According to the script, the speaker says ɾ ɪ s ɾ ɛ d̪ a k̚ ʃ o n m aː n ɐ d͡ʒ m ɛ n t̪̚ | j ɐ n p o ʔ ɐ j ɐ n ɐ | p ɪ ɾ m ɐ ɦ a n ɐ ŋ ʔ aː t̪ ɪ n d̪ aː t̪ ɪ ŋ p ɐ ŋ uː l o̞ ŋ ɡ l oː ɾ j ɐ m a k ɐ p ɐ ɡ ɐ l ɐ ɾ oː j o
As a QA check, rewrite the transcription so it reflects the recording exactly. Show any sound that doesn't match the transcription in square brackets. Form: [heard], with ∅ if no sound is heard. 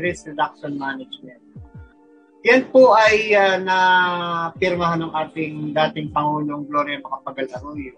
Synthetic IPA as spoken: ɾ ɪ s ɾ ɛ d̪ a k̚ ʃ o n m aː n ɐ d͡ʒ m ɛ n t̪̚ | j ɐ n p o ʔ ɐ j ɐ n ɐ | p ɪ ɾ m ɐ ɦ a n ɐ ŋ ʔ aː t̪ ɪ [ŋ] d̪ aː t̪ ɪ ŋ p ɐ ŋ uː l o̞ ŋ ɡ l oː ɾ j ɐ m [ɐ] k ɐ p ɐ ɡ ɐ l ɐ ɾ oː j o